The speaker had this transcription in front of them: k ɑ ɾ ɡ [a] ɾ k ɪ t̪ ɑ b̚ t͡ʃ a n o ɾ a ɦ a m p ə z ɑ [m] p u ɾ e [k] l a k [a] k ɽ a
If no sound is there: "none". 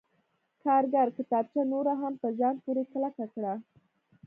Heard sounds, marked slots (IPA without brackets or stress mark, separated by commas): a, n, k, a